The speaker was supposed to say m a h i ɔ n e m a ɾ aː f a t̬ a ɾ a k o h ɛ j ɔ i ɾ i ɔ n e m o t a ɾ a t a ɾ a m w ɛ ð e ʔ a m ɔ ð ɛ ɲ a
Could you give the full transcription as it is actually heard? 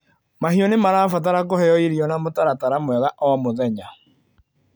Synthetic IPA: m a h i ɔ n e m a ɾ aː f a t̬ a ɾ a k o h ɛ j ɔ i ɾ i ɔ n a m o t a ɾ a t a ɾ a m w ɛ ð a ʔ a m o ð ɛ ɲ a